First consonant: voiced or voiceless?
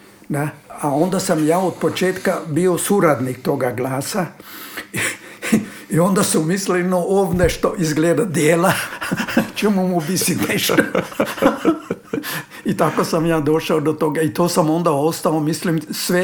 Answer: voiced